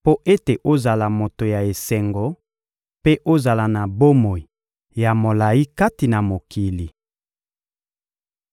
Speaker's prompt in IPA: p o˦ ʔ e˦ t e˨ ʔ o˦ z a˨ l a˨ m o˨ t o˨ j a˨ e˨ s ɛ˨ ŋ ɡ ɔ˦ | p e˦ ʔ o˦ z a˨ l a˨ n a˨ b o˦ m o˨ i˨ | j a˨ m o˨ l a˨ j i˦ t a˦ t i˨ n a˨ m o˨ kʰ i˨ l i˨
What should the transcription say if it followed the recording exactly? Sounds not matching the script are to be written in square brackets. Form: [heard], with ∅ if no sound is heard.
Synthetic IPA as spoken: p o˦ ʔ e˦ t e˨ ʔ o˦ z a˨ l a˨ m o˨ t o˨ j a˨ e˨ s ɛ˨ ŋ ɡ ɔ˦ | p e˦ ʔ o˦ z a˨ l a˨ n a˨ b o˦ m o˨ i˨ | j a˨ m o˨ l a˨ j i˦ [k] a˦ t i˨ n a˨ m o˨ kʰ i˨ l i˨